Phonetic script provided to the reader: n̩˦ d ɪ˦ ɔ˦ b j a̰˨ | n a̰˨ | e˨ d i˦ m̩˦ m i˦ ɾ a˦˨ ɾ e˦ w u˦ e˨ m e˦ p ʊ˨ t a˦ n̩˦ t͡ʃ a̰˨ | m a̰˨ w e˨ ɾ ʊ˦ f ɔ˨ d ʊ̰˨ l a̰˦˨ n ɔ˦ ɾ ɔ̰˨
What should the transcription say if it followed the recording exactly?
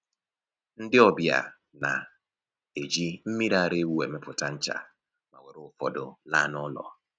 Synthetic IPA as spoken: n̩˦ d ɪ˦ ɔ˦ b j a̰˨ | n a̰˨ | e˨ d͡ʒ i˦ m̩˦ m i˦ ɾ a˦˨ ɾ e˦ w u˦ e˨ m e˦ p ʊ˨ t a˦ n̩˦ t͡ʃ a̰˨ | m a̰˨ w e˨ ɾ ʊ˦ f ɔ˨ d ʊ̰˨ l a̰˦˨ n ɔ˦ l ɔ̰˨

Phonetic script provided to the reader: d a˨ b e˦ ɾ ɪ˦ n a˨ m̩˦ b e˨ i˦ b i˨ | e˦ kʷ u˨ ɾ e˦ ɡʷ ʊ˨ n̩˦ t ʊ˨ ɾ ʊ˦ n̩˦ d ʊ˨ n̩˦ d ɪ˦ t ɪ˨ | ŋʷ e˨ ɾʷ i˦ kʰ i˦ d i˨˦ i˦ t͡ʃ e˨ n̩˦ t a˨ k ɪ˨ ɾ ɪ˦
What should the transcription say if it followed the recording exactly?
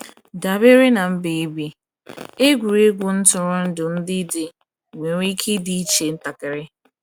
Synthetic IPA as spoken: d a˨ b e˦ ɾ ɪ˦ n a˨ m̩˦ b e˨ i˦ b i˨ | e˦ ɡʷ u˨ ɾ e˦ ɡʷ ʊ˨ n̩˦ t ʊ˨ ɾ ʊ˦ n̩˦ d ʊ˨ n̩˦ d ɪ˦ d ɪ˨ | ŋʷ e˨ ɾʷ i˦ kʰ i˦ d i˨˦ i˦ t͡ʃ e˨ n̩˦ t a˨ k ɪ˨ ɾ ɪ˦

